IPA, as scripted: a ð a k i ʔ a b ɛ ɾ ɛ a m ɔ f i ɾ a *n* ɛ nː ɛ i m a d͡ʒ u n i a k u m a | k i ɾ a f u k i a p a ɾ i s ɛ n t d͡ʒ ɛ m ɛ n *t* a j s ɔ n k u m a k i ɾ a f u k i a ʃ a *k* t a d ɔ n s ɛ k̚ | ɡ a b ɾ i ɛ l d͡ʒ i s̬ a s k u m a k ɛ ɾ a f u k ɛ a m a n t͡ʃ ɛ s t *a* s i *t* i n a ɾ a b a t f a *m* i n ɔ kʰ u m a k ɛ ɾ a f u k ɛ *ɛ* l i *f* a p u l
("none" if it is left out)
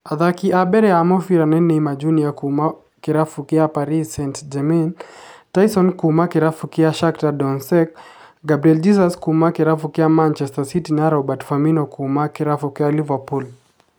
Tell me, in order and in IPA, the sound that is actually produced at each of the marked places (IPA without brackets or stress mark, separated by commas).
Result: n, t, k, a, t, m, a, v